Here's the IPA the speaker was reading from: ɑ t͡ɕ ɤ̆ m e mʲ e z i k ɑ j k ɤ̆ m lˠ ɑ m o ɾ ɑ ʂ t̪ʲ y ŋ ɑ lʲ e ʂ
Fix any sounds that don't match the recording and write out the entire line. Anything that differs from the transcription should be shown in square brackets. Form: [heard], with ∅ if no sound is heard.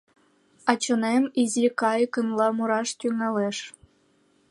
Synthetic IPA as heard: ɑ t͡ɕ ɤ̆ [n] e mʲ [i] z i k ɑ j k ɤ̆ [n] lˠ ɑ m [u] ɾ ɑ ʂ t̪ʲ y ŋ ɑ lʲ e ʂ